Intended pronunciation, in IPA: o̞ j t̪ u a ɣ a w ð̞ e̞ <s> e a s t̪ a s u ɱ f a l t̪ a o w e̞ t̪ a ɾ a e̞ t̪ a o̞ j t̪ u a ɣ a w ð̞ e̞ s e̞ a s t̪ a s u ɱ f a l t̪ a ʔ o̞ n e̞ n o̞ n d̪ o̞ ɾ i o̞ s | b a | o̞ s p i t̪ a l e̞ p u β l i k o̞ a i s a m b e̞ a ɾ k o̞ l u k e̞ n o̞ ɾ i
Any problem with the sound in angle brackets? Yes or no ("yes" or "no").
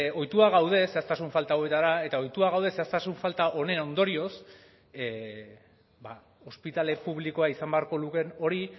no